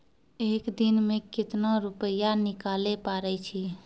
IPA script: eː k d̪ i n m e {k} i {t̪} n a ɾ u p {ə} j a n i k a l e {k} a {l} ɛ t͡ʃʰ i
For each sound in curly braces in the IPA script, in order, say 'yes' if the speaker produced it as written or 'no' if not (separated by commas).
yes, yes, yes, no, no